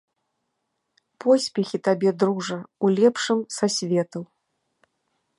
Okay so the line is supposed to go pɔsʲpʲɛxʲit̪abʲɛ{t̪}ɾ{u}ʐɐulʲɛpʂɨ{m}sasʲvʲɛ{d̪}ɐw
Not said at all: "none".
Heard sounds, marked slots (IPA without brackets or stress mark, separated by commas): d̪, u, m, t̪